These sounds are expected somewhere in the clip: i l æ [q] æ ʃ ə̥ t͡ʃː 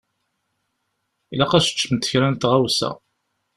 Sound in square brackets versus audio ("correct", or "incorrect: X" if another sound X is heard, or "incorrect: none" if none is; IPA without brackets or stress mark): correct